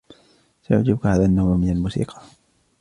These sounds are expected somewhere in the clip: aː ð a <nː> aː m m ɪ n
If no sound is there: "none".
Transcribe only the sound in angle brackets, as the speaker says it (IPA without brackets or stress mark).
nː